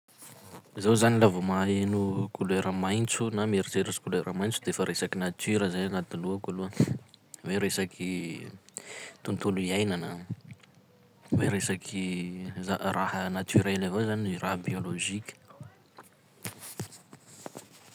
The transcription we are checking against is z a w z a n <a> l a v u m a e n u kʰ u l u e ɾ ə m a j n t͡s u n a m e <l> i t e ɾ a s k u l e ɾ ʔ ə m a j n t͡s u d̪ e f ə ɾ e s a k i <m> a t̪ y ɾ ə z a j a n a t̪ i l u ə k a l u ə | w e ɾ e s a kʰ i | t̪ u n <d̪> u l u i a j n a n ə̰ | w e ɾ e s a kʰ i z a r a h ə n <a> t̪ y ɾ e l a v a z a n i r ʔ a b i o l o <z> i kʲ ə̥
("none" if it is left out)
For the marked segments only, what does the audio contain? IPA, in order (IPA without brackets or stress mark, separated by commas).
i, ɾ, n, t̪, a, ʒ